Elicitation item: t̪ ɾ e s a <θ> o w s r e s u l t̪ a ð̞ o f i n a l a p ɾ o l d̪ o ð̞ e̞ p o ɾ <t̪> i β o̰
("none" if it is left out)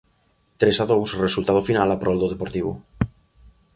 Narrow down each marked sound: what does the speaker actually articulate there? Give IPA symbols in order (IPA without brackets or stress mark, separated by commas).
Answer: ð, t̪